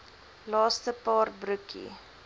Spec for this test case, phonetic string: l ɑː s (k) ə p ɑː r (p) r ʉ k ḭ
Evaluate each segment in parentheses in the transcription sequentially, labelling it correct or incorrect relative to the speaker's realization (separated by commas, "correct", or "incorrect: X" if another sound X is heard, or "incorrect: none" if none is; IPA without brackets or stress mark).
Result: incorrect: t, incorrect: b